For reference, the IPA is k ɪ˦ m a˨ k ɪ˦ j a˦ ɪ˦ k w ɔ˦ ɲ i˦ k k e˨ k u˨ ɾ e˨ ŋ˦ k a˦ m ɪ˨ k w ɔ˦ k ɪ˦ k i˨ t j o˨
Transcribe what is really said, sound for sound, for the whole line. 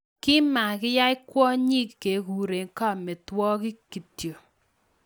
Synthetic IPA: k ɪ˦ m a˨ k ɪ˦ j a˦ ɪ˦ k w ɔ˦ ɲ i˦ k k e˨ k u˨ ɾ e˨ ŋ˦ k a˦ m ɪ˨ t w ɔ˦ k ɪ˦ k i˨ t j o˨